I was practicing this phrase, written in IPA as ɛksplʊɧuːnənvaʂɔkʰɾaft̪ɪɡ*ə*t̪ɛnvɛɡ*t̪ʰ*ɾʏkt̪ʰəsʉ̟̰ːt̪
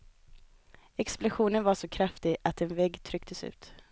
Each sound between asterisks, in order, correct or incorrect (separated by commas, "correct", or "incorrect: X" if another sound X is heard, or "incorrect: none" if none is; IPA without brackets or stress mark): incorrect: a, correct